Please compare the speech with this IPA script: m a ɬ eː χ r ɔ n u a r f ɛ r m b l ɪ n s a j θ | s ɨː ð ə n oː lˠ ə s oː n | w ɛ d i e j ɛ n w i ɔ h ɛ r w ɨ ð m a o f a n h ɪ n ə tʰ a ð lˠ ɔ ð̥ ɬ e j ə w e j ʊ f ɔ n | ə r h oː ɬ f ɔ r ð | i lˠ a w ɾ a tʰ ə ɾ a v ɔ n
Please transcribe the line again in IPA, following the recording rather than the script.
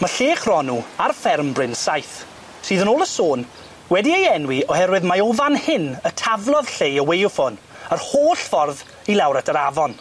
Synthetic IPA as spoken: m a ɬ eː χ r ɔ n u a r f ɛ r m b r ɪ n s a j θ | s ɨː ð ə n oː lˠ ə s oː n | w ɛ d i e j ɛ n w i ɔ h ɛ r w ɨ ð m a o v a n h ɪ n ə tʰ a v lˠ ɔ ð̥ ɬ e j ə w e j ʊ f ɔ n | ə r h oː ɬ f ɔ r ð | i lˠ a w ɾ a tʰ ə ɾ a v ɔ n

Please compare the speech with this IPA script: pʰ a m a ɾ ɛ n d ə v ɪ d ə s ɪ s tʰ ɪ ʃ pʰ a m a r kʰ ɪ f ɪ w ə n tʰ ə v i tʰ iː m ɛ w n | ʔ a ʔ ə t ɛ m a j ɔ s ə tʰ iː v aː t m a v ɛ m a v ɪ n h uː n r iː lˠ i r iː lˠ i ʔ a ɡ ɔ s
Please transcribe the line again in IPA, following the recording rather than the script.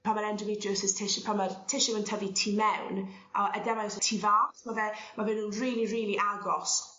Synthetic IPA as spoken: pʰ a m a ɾ ɛ n d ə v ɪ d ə s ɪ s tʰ ɪ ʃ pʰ a m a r tʰ ɪ ʃ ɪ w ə n tʰ ə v i tʰ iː m ɛ w n | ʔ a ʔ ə d ɛ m a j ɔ s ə tʰ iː v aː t m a v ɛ m a v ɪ n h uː n r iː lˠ i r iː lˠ i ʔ a ɡ ɔ s

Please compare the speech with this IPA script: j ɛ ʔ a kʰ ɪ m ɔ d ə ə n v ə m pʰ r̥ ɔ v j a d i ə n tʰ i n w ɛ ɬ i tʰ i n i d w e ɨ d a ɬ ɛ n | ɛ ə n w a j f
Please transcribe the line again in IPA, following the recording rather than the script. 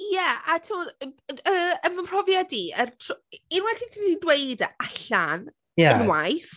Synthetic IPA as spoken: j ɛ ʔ a tʰ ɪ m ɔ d ə ə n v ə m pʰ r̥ ɔ v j a d i ə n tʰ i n w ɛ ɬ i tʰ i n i d w e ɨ d a ɬ a n | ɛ ə n w a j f

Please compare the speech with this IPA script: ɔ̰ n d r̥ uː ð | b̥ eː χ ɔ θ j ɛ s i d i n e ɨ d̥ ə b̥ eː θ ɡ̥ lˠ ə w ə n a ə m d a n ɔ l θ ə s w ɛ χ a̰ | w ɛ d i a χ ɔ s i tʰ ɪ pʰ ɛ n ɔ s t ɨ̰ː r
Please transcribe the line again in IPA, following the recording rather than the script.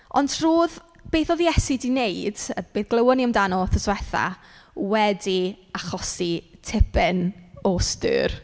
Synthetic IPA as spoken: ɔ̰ n d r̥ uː ð | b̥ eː θ ɔ ð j ɛ s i d i n e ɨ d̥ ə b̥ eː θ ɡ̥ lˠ ə w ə n i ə m d a n ɔ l θ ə s w ɛ θ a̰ | w ɛ d i a χ ɔ s i tʰ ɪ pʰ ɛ n ɔ s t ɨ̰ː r

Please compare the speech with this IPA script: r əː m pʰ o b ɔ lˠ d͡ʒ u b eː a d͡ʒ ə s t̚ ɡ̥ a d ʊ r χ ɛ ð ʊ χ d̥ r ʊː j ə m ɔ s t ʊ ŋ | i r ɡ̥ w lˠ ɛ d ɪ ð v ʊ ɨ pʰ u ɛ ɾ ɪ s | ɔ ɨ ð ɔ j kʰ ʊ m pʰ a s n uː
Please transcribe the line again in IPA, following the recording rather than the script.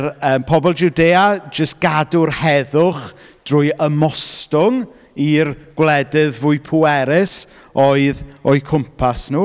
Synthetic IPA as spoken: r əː m pʰ ɔ b ɔ lˠ d͡ʒ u d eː a d͡ʒ ə s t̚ ɡ̥ a d ʊ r h ɛ ð ʊ χ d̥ r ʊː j ə m ɔ s t ʊ ŋ | i r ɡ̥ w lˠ ɛ d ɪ ð v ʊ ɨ pʰ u ɛ ɾ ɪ s | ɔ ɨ ð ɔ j kʰ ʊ m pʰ a s n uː

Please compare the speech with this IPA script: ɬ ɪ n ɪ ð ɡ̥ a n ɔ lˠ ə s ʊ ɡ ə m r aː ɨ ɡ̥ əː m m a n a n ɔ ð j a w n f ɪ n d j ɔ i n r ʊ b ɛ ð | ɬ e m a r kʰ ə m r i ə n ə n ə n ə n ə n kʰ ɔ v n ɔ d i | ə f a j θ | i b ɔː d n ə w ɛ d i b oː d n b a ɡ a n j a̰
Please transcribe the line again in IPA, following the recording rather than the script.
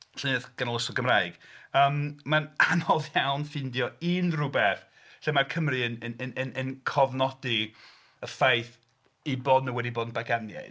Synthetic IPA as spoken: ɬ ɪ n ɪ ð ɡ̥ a n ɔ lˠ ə s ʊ ɡ ə m r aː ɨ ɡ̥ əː m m a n a n ɔ ð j a w n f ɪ n d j ɔ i n r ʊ b ɛ θ | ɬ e m a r kʰ ə m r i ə n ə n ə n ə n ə n kʰ ɔ v n ɔ d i | ə f a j θ | i b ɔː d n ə w ɛ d i b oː d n b a ɡ a n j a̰

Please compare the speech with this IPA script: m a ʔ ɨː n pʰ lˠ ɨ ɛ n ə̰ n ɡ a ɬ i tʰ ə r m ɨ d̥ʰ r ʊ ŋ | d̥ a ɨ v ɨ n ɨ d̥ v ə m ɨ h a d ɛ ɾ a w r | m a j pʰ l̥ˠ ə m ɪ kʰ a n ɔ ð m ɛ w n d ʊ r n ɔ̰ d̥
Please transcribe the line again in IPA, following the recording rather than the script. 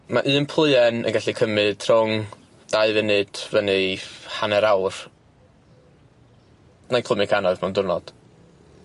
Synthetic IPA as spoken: m a ʔ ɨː n pʰ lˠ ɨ ɛ n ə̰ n ɡ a ɬ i kʰ ə m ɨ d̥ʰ r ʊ ŋ | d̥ a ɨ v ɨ n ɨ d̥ v ə n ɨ h a n ɛ ɾ a w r | n a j kʰ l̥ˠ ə m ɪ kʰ a n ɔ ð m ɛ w n d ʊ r n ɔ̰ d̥

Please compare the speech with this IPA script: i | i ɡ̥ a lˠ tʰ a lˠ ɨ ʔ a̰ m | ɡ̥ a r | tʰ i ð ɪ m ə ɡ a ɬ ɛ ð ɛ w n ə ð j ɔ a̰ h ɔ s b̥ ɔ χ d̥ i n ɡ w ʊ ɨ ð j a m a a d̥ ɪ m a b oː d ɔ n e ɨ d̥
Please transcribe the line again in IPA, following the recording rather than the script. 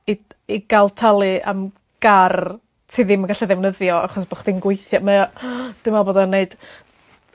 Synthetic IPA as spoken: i | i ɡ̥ a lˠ tʰ a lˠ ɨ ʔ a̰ m | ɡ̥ a r | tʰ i ð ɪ m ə ɡ a ɬ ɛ ð ɛ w n ə ð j ɔ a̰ χ ɔ s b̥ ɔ χ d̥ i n ɡ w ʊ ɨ θ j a m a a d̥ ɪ m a b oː d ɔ n e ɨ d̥

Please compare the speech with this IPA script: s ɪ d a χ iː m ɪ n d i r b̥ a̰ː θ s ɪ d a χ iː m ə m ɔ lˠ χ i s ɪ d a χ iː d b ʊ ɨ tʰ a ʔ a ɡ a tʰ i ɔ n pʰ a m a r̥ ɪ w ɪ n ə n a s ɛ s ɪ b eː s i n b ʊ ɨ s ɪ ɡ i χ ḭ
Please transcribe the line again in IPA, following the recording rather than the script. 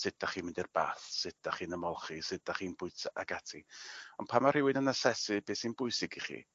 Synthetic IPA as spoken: s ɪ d a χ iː m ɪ n d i r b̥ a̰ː θ s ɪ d a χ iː n ə m ɔ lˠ χ i s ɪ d a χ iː n b ʊ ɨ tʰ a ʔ a ɡ a tʰ i ɔ n pʰ a m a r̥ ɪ w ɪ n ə n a s ɛ s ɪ b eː s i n b ʊ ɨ s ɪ ɡ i χ ḭ

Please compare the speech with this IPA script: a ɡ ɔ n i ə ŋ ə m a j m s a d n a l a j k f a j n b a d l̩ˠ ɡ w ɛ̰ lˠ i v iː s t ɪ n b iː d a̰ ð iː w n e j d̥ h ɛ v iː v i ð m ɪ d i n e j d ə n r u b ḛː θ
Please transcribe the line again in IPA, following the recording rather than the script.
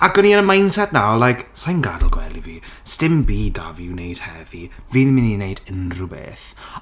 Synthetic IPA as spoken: a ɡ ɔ n i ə n ə m a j n s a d n a l a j k s a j n ɡ a d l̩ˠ ɡ w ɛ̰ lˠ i v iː s t ɪ m b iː d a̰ v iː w n e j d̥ h ɛ v i v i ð m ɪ n i n e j d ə n r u b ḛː θ

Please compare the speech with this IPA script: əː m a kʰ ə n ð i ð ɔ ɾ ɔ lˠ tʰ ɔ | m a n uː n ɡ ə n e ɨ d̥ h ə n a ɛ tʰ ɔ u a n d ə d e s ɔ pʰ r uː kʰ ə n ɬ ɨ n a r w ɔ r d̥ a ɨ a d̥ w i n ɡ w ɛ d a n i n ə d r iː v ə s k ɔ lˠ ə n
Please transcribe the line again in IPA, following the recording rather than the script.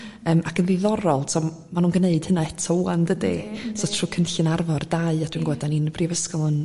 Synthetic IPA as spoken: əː m a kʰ ə n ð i ð ɔ ɾ ɔ lˠ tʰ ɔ | m a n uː n ɡ ə n e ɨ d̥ h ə n a ɛ tʰ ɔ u a n d ə d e s ɔ tʰ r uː kʰ ə n ɬ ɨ n a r v ɔ r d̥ a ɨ a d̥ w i n ɡ w ɛ d a n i n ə b r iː v ə s k ɔ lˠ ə n

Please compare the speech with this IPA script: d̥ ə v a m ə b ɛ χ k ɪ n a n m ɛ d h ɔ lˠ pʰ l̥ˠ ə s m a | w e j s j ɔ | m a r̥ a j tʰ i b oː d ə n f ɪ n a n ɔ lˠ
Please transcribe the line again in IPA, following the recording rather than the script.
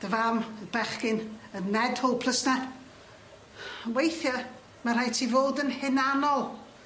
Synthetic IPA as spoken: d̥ ə v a m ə b ɛ χ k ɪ n ə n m ɛ d h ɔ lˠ pʰ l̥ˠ ə s n a | w e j θ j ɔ | m a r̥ a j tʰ i v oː d ə n h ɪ n a n ɔ lˠ

